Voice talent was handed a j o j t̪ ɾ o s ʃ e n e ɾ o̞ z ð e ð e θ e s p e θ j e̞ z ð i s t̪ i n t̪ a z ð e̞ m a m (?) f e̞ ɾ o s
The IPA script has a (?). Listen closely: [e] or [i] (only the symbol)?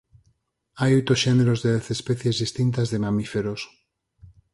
i